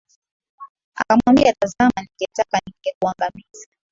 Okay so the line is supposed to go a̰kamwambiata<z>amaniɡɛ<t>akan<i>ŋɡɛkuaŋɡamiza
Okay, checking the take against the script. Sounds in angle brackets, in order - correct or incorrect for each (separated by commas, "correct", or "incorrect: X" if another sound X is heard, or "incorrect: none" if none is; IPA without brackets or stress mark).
correct, correct, correct